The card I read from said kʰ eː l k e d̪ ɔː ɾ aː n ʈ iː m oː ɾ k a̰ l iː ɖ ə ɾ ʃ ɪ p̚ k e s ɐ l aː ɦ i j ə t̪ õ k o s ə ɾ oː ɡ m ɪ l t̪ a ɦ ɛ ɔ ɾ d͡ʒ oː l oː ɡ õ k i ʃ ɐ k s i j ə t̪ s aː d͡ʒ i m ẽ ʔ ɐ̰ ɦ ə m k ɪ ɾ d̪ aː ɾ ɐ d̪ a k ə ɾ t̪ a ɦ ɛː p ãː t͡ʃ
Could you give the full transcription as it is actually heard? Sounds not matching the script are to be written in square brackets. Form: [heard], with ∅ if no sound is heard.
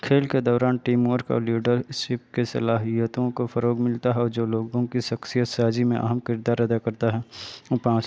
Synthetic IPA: kʰ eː l k e d̪ ɔː ɾ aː n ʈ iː m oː ɾ k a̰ l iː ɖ ə ɾ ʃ ɪ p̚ k e s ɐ l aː ɦ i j ə t̪ õ k o [f] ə ɾ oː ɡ m ɪ l t̪ a ɦ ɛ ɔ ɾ d͡ʒ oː l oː ɡ õ k i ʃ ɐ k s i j ə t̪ s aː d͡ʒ i m ẽ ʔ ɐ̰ ɦ ə m k ɪ ɾ d̪ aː ɾ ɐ d̪ a k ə ɾ t̪ a ɦ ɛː p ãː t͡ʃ